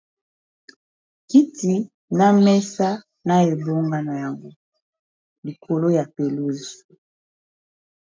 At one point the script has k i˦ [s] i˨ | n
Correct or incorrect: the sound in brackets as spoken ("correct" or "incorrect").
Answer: incorrect